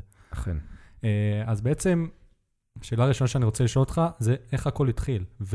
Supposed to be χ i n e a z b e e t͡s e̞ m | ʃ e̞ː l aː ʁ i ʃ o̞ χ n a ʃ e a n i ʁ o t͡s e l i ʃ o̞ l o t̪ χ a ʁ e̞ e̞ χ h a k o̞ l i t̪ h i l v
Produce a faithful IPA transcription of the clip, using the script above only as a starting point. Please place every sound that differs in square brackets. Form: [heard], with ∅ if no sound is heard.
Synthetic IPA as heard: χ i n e a z b e e t͡s e̞ m | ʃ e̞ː l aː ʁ i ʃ o̞ [∅] n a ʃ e a n i ʁ o t͡s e l i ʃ o̞ l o t̪ χ a [z] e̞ e̞ χ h a k o̞ l i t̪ [χ] i l v